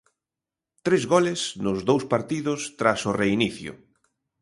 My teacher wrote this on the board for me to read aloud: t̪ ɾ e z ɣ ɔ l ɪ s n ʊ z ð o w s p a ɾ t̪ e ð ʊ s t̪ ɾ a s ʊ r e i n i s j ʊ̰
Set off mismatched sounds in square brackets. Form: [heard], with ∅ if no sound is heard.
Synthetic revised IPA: t̪ ɾ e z ɣ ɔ l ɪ s n ʊ z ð o w s p a ɾ t̪ [i] ð ʊ s t̪ ɾ a s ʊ r e i n i [θ] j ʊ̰